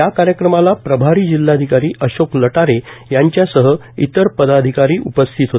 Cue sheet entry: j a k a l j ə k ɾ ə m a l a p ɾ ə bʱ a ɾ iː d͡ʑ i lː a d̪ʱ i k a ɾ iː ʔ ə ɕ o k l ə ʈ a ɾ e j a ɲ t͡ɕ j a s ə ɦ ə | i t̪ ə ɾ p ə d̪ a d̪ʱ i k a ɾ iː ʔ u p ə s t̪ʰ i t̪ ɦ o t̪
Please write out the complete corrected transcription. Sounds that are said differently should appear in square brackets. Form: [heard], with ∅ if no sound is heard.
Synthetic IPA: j a k a [ɾ] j ə k ɾ ə m a l a p ɾ ə bʱ a ɾ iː d͡ʑ i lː a d̪ʱ i k a ɾ iː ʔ ə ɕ o k l ə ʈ a ɾ e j a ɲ t͡ɕ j a s ə ɦ ə | i t̪ ə ɾ p ə d̪ a d̪ʱ i k a ɾ iː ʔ u p ə s t̪ʰ i t̪ ɦ o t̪